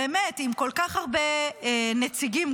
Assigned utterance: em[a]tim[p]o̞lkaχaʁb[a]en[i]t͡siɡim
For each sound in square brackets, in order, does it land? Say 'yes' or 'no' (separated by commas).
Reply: no, no, no, no